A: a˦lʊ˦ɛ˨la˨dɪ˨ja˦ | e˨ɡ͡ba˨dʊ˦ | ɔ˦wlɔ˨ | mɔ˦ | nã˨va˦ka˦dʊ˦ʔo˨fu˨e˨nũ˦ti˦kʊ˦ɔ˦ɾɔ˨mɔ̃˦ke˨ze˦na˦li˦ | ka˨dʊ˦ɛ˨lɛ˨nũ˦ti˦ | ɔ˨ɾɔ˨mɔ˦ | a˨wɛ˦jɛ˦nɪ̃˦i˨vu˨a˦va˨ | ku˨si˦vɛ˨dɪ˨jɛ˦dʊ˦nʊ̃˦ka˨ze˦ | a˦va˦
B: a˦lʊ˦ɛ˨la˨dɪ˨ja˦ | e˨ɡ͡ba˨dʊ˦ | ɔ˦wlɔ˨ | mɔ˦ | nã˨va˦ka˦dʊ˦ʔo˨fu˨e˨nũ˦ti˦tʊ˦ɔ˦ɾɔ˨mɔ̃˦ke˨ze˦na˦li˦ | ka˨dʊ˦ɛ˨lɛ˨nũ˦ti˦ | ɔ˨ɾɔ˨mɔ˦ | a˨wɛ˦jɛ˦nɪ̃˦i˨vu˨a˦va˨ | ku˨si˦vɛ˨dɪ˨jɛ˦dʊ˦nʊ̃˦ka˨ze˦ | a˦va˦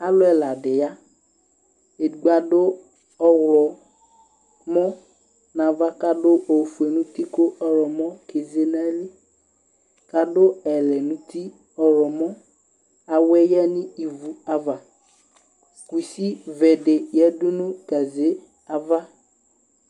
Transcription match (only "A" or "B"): A